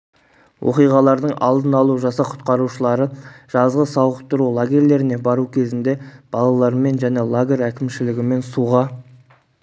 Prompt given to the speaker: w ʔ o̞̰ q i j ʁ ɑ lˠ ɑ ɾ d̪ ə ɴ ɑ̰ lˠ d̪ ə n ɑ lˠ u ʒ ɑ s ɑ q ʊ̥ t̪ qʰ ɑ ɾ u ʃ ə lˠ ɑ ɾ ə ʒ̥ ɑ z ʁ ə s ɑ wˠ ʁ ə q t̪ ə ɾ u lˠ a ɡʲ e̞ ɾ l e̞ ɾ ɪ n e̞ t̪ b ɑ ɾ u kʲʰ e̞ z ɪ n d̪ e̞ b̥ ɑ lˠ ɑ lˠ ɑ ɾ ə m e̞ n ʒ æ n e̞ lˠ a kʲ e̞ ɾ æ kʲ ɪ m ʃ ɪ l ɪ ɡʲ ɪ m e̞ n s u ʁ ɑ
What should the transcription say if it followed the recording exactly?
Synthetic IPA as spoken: w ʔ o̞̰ q i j ʁ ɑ lˠ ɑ ɾ d̪ ə ɴ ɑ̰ lˠ d̪ ə n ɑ lˠ u ʒ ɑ s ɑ qʰ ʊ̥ t̪ q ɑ ɾ u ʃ ə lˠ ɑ ɾ ə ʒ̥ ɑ z ʁ ə s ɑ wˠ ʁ ə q t̪ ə ɾ u lˠ a ɡʲ e̞ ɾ l e̞ ɾ ɪ n e̞ b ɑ ɾ u kʲʰ e̞ z ɪ n d̪ e̞ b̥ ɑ lˠ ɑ lˠ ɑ ɾ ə m e̞ n ʒ æ n e̞ lˠ a ɡʲ e̞ ɾ æ kʲ ɪ m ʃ ɪ l ɪ ɡʲ ɪ m e̞ n s u ʁ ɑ